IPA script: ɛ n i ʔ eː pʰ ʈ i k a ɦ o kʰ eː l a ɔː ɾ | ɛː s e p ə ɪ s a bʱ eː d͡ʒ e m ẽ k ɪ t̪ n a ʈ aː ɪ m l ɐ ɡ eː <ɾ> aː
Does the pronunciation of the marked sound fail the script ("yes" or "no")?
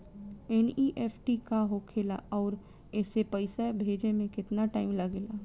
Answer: yes